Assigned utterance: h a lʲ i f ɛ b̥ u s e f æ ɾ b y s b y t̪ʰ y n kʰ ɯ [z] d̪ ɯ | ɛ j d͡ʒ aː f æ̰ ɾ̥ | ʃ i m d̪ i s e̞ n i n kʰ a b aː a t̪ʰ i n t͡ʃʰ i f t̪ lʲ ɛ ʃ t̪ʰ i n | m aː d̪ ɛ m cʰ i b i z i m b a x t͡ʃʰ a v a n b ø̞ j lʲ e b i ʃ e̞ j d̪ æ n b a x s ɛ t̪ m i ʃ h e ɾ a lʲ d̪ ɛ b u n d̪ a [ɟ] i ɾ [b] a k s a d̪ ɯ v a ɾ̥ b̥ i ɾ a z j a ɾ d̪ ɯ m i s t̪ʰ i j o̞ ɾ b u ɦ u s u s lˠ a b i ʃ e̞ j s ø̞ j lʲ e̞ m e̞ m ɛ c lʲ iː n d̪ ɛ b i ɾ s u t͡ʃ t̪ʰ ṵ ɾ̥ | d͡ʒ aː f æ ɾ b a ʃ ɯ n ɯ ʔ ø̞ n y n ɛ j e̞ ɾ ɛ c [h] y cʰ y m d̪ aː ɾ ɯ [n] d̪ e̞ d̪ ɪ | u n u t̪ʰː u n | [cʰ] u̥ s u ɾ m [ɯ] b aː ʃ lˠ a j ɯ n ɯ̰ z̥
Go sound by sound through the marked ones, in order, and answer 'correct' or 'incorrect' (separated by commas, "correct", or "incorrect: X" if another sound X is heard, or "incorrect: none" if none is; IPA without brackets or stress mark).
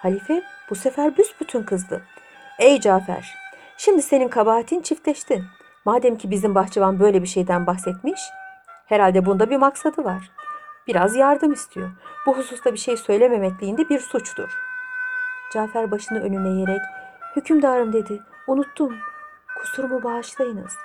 correct, incorrect: b, incorrect: m, correct, incorrect: m, incorrect: kʰ, incorrect: u